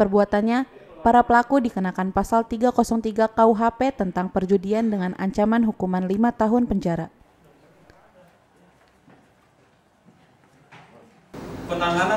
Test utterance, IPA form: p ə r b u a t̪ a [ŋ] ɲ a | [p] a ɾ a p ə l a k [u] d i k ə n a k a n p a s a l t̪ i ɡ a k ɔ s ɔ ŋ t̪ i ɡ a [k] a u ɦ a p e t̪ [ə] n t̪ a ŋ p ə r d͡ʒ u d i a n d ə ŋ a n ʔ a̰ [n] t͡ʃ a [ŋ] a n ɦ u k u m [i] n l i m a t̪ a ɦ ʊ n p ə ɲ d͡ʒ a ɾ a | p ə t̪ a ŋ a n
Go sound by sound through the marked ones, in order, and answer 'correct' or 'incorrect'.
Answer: incorrect: n, correct, correct, correct, correct, incorrect: ɲ, incorrect: m, incorrect: a

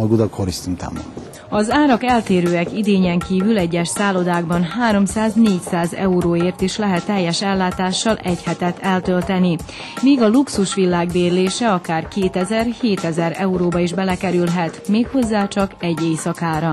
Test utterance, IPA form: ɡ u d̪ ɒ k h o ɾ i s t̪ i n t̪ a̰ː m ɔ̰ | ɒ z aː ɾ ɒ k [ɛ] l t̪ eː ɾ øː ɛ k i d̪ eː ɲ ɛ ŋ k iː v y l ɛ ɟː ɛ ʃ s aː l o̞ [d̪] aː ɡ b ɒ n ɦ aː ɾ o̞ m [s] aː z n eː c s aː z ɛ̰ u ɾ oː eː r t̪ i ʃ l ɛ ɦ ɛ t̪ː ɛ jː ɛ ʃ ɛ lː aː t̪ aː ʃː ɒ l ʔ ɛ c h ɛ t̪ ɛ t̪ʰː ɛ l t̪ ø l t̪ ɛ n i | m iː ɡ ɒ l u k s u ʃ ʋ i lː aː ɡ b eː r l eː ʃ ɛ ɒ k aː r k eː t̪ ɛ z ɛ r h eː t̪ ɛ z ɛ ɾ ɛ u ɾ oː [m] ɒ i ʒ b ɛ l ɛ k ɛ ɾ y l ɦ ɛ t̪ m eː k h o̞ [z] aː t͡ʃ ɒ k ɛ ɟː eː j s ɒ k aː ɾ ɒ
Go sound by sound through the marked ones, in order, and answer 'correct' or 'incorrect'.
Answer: correct, correct, correct, incorrect: b, incorrect: zː

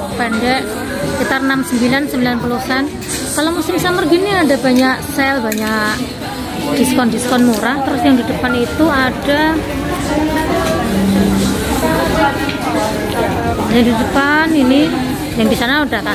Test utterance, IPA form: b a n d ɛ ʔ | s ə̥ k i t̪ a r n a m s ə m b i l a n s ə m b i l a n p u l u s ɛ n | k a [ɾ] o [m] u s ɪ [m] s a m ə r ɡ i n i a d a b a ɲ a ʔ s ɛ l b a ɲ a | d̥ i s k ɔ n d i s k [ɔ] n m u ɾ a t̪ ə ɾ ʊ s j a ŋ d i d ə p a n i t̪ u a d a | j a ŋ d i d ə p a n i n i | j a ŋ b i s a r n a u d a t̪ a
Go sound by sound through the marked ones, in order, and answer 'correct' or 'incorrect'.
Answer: incorrect: l, correct, correct, correct

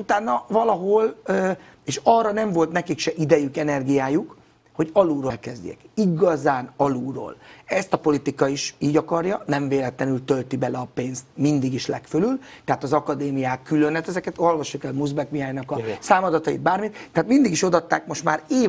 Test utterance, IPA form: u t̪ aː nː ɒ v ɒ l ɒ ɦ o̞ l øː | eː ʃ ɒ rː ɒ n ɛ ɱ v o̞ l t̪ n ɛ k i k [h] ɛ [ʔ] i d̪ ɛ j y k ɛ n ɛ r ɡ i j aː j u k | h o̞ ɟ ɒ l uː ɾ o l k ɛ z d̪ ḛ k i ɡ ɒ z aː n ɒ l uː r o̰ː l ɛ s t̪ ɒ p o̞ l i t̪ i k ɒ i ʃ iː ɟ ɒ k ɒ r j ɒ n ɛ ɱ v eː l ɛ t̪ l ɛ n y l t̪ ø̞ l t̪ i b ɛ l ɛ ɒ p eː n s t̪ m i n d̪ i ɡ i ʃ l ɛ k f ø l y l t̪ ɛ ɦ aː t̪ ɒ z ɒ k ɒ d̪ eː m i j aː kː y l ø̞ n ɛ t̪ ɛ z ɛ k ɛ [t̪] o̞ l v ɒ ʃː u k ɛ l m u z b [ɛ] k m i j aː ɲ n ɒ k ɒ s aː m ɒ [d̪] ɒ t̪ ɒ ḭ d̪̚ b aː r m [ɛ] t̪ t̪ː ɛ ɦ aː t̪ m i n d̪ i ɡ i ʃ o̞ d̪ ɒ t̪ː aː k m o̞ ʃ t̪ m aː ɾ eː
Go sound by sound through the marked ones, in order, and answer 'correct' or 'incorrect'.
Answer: incorrect: ʃ, correct, correct, correct, correct, incorrect: i

